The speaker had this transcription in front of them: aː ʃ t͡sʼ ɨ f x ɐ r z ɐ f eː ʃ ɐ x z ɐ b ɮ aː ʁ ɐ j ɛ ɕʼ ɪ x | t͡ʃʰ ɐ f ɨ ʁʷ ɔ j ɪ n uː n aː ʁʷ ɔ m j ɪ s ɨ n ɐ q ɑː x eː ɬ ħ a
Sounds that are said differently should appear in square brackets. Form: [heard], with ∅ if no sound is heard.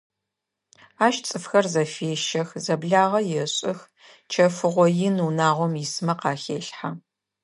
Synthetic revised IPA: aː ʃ t͡sʼ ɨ f x ɐ r z ɐ f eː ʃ ɐ x z ɐ b ɮ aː ʁ ɐ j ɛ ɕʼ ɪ x | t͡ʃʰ ɐ f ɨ ʁʷ ɔ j ɪ n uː n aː ʁʷ ɔ m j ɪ s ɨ [m] ɐ q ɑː x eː ɬ ħ a